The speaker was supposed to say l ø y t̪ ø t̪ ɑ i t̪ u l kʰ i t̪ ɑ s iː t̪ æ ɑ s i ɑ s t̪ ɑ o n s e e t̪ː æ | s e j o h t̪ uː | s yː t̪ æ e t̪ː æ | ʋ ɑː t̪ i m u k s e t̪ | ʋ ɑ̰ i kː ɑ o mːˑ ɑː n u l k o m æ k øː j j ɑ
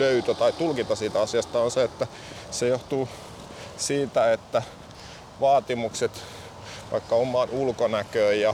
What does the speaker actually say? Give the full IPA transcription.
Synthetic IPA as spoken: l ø y t̪ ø t̪ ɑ i t̪ u l k i t̪ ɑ s iː t̪ æ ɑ s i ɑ s t̪ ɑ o n s e e t̪ː æ | s e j o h t̪ uː | s iː t̪ æ e t̪ː æ | ʋ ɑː t̪ i m u k s e t̪ | ʋ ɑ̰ i kː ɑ o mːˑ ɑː n u l k o n æ k øː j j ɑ